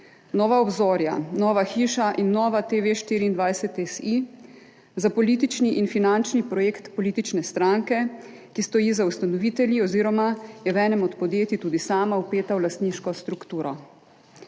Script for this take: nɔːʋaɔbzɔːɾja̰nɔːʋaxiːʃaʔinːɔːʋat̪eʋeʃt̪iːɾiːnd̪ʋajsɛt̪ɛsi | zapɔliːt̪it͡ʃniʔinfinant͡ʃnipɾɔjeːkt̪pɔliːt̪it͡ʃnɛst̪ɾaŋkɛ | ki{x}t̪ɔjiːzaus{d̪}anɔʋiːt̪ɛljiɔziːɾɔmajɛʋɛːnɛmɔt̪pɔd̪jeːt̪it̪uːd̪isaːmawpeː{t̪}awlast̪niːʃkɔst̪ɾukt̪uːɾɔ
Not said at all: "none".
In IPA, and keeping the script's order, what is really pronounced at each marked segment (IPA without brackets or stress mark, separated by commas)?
s, t̪, t̪